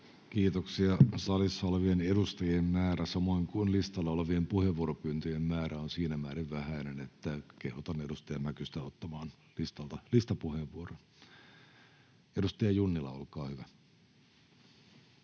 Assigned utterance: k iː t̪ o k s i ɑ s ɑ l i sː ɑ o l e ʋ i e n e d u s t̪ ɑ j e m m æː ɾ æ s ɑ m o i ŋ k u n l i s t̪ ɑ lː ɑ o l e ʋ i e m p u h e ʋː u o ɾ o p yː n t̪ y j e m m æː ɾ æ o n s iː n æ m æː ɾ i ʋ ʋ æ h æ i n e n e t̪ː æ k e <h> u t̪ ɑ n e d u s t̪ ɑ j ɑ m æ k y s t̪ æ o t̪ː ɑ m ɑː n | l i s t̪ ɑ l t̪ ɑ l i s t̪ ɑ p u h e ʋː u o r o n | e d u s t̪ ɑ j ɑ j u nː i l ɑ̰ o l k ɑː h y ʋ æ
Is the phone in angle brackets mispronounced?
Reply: no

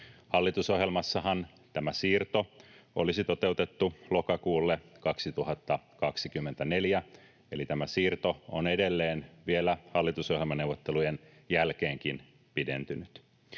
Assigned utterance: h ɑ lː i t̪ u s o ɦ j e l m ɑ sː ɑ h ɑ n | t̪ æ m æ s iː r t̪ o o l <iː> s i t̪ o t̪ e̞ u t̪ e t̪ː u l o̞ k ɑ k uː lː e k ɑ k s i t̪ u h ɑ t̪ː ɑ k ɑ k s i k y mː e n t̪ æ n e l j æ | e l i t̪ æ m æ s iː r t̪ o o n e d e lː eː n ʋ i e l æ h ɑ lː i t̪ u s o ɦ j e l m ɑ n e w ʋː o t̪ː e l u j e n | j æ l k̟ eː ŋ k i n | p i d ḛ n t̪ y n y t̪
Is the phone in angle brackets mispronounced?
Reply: yes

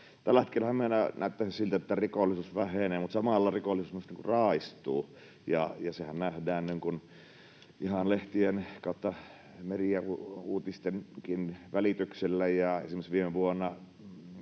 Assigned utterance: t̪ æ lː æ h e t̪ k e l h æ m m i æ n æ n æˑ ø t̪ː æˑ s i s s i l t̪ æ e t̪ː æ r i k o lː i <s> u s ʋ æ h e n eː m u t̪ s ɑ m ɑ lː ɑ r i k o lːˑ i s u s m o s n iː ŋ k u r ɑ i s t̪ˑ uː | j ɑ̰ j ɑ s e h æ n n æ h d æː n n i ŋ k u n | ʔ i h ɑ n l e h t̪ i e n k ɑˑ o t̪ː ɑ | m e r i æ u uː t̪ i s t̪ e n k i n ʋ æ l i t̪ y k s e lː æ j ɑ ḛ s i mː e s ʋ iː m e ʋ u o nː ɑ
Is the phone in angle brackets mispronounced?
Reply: no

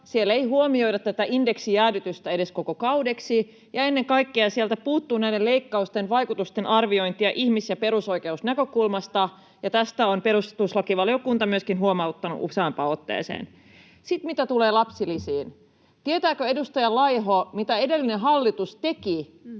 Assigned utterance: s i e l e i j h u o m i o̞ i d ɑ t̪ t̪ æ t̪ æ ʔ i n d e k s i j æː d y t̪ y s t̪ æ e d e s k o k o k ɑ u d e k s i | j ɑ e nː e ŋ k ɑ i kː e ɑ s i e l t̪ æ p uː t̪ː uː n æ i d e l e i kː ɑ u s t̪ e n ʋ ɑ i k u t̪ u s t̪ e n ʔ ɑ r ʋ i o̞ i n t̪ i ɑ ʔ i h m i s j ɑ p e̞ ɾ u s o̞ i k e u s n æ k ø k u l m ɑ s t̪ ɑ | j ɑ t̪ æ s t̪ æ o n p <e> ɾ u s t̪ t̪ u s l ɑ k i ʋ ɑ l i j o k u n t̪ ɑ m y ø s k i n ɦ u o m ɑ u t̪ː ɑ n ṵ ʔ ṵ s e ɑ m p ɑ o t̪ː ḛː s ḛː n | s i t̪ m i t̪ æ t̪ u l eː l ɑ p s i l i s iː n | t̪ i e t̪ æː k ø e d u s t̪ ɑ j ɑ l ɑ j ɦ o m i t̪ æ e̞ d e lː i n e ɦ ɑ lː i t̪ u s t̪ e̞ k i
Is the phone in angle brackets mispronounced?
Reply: no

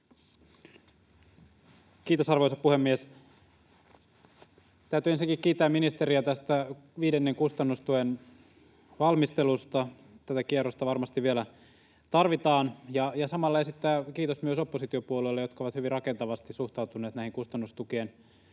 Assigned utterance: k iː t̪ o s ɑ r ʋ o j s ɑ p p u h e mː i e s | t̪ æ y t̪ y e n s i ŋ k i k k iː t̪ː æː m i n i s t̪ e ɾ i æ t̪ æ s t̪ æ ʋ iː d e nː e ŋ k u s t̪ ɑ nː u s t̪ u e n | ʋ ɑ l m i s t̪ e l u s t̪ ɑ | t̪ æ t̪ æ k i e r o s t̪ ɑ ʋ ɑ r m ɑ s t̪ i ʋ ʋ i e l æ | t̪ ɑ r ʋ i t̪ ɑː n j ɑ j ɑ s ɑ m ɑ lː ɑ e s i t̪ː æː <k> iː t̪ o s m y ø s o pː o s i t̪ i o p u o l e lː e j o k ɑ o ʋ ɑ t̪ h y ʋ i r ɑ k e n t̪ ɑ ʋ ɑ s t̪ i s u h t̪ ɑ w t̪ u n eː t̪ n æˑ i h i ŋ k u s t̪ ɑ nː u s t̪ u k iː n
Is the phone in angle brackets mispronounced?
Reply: no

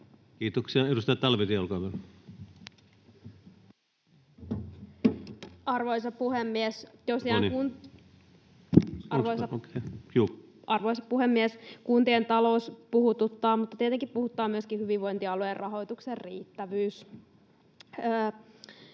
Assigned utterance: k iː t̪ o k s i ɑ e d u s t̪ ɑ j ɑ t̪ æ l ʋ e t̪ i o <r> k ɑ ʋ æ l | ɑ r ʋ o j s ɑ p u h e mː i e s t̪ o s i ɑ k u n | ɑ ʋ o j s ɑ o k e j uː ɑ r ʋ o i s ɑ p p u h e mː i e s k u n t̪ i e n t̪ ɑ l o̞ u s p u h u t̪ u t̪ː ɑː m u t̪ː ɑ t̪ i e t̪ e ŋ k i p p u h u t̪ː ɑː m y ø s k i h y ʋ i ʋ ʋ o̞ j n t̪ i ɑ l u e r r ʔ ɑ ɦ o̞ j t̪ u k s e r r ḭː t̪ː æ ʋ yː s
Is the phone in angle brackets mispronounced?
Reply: yes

